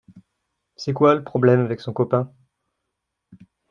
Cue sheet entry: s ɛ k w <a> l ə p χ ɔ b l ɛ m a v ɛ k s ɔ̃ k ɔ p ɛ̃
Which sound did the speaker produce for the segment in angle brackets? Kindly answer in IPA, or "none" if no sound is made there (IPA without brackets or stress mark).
a